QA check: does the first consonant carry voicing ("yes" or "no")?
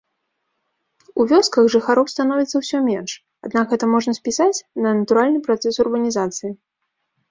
yes